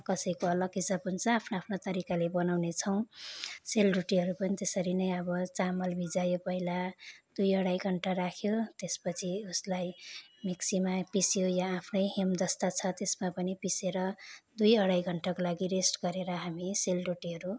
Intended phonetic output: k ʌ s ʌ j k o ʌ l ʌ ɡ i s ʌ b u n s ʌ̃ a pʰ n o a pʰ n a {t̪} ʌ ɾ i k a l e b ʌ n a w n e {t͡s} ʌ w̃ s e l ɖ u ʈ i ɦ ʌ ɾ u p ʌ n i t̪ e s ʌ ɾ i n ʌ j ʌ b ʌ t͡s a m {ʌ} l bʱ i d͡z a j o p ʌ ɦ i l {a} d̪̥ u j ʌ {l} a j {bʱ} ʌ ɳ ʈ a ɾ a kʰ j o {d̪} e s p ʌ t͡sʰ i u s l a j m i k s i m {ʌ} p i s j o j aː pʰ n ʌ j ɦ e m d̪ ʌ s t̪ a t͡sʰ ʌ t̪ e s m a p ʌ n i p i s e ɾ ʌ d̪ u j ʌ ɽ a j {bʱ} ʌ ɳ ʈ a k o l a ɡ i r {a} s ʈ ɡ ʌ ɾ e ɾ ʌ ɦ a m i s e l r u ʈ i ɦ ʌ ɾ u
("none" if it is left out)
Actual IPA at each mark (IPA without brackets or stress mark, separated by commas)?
t̪, t͡sʰ, ʌ, a, ɽ, ɡʱ, t̪, a, ɡʱ, e